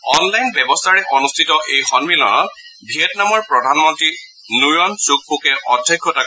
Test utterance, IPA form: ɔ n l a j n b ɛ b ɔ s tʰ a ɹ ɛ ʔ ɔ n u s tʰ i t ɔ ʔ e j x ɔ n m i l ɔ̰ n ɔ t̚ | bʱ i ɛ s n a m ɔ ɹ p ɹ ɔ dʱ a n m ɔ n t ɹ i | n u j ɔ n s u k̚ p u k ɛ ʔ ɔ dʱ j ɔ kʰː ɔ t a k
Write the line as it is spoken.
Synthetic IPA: ɔ n l a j n b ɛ b ɔ s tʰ a ɹ ɛ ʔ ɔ n u s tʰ i t ɔ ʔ e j x ɔ n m i l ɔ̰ n ɔ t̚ | bʱ i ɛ t n a m ɔ ɹ p ɹ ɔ dʱ a n m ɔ n t ɹ i | n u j ɔ n s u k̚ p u k ɛ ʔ ɔ dʱ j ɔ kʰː ɔ t a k